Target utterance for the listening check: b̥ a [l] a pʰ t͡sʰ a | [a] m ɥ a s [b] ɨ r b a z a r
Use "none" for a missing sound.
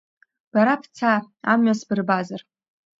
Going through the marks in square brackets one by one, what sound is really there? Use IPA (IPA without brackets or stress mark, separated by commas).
ɾ, a, b